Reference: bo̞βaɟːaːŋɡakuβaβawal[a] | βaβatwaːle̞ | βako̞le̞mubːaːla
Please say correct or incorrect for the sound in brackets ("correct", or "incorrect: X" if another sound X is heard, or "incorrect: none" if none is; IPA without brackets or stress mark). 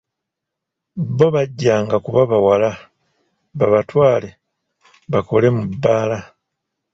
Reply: correct